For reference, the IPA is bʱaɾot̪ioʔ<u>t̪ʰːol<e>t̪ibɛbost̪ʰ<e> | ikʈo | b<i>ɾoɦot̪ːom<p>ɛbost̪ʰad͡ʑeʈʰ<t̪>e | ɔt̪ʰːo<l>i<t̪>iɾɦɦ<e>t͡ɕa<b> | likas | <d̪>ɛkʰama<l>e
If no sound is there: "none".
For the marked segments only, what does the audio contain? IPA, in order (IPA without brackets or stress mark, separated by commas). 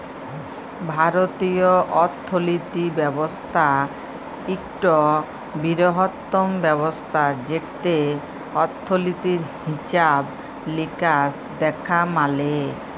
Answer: ɔ, i, a, i, b, t̪, l, t̪, i, b, d̪, l